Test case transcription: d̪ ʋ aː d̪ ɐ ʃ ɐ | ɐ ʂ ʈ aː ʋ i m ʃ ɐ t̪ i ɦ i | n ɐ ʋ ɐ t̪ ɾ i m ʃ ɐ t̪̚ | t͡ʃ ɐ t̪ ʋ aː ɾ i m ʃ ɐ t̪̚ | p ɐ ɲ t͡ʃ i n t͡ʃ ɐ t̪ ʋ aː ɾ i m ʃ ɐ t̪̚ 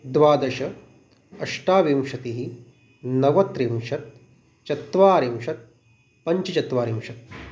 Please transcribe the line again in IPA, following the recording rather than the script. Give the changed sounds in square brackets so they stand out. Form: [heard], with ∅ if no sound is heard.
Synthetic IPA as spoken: d̪ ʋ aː d̪ ɐ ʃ ɐ | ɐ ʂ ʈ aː ʋ i m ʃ ɐ t̪ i ɦ i | n ɐ ʋ ɐ t̪ ɾ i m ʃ ɐ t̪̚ | t͡ʃ ɐ t̪ ʋ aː ɾ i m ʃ ɐ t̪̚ | p ɐ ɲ t͡ʃ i [∅] t͡ʃ ɐ t̪ ʋ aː ɾ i m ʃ ɐ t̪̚